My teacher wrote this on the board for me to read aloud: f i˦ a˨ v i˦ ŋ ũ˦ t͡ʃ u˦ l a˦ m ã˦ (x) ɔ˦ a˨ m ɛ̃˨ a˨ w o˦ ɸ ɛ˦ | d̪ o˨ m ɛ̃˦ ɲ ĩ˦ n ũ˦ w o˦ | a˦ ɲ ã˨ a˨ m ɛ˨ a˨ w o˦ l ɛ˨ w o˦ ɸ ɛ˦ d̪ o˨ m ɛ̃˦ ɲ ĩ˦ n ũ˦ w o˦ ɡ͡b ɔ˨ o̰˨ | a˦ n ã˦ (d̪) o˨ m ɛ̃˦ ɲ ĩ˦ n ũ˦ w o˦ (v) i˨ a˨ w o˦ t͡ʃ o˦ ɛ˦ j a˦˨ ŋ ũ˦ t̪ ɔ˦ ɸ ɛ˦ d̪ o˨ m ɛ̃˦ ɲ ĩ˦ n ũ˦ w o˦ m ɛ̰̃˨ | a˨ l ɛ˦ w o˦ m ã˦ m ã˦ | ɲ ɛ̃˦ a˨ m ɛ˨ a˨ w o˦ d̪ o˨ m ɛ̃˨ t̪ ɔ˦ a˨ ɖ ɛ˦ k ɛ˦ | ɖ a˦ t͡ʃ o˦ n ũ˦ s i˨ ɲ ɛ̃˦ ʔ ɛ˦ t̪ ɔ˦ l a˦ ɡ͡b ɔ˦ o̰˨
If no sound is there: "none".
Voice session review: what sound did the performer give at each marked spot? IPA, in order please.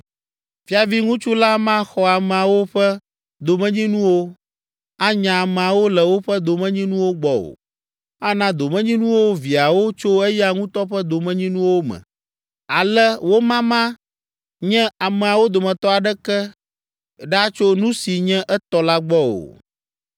x, d̪, v

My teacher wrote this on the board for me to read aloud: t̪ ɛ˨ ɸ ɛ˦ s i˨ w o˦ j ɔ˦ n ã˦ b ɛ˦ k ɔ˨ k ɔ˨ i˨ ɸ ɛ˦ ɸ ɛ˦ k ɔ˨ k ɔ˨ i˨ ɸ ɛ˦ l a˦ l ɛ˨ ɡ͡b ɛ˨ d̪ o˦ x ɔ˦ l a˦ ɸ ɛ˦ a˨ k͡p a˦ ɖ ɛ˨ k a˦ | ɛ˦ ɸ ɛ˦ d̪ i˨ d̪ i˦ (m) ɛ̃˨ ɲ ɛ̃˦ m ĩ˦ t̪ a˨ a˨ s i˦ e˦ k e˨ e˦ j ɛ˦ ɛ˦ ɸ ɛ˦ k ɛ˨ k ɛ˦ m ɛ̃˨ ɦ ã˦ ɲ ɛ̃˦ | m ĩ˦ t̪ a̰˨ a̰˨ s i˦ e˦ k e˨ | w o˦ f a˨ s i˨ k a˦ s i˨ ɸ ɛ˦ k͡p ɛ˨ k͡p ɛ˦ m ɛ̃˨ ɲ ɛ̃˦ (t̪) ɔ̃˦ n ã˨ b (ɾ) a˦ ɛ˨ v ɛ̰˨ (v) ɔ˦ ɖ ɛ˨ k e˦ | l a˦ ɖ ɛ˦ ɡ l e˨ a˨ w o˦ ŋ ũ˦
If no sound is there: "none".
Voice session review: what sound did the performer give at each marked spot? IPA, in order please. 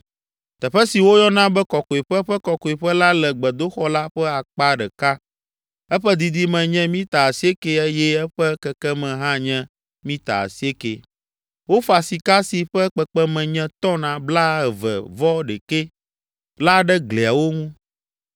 m, t̪, l, v

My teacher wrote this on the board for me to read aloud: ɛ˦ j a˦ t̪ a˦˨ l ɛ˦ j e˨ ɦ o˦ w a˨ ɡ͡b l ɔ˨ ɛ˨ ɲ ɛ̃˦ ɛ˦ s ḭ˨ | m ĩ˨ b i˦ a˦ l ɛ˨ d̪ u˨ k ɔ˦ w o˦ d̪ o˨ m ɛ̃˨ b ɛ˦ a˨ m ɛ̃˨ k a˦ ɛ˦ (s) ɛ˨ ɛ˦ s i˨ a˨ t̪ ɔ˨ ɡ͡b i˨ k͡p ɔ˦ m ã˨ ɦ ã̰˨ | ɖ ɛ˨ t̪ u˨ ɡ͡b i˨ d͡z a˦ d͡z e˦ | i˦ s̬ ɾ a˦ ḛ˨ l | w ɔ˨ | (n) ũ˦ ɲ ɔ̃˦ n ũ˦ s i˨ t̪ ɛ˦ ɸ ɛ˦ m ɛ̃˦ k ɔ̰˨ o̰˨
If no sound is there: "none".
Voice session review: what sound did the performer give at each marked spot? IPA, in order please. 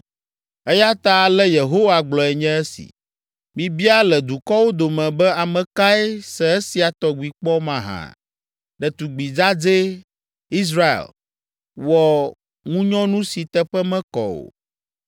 s, ŋ

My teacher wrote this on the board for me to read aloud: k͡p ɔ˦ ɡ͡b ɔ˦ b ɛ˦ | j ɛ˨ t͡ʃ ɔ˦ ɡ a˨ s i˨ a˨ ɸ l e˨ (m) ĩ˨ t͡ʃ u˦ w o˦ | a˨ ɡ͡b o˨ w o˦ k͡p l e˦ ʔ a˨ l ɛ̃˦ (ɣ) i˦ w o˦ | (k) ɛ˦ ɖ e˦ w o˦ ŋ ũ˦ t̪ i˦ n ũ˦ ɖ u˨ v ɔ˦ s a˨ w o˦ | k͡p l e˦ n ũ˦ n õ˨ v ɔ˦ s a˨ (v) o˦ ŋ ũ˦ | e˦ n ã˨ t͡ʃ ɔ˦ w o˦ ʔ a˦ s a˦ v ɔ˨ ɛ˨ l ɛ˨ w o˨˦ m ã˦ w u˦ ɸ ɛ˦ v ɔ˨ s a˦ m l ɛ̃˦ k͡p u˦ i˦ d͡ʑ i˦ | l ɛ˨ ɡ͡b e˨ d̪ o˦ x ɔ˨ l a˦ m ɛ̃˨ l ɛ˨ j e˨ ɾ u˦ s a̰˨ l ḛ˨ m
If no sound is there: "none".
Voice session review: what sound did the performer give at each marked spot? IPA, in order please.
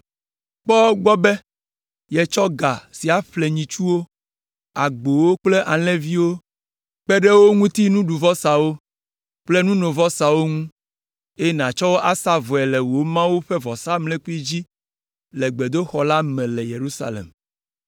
ɲ, v, k͡p, w

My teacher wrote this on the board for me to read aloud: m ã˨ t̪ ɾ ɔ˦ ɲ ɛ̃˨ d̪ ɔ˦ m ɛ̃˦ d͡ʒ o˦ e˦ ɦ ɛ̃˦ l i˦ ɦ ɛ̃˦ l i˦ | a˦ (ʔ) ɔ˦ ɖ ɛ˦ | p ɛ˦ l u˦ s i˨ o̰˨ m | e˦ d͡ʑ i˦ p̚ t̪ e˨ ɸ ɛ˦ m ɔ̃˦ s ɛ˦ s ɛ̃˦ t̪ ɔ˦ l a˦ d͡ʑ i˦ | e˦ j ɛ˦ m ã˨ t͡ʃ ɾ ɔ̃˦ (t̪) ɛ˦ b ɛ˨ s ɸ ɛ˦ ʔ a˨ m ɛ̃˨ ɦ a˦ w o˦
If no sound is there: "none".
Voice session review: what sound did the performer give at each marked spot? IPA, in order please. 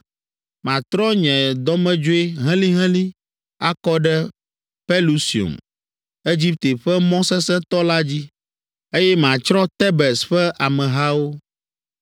k, t̪

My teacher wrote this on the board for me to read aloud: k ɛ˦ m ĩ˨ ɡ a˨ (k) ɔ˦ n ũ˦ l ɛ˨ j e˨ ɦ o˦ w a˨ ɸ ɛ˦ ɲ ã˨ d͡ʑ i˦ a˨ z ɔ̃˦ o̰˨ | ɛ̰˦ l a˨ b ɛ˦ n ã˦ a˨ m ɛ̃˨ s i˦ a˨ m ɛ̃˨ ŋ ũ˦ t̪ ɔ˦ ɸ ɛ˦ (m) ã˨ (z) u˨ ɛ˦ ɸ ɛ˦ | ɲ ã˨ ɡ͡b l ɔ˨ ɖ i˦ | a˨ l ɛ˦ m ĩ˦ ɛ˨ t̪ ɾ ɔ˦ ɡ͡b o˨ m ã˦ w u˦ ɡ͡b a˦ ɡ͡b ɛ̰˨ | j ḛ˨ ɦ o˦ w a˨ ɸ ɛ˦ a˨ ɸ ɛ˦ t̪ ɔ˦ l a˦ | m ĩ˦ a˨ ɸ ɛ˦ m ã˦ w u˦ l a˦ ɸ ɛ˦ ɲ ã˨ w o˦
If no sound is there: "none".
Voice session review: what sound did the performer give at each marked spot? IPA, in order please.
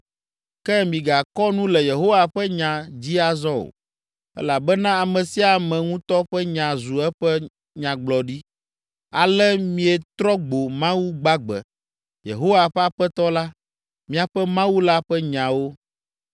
k, ɲ, z

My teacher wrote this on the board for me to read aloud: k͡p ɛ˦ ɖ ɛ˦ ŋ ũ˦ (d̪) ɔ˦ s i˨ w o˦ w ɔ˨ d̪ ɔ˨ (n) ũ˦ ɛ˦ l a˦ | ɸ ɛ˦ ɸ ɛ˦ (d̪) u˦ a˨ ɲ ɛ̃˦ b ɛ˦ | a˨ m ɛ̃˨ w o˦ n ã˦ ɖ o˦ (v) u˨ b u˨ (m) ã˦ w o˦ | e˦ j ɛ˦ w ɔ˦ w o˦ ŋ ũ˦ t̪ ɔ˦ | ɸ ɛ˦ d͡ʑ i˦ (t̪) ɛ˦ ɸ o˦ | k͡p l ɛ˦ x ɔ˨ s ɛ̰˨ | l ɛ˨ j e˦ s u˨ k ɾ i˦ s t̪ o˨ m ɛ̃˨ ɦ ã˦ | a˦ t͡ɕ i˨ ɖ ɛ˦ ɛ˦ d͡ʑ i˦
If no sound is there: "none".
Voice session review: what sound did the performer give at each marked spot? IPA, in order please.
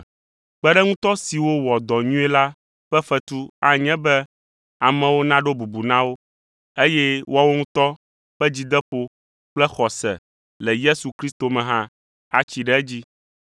t̪, ɲ, t̪, b, n, d̪

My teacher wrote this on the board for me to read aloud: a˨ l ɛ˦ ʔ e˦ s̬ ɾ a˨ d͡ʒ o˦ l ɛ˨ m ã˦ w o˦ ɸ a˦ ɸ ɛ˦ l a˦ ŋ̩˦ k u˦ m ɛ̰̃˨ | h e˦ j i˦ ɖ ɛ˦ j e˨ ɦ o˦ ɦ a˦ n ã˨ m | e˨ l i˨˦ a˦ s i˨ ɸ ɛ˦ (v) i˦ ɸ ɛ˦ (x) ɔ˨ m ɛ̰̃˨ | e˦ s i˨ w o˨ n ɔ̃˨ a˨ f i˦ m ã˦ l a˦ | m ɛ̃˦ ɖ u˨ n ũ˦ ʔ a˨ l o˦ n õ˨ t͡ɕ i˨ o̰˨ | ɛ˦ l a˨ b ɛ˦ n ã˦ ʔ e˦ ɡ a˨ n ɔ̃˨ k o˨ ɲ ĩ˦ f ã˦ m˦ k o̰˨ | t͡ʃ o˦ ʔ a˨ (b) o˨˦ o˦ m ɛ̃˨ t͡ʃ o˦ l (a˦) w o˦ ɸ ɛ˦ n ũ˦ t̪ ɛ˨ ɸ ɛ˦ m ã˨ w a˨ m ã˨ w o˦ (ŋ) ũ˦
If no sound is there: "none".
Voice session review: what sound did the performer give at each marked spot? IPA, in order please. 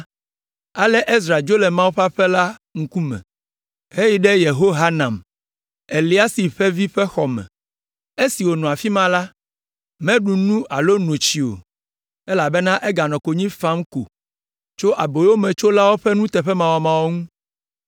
v, x, b, a˦, ŋ

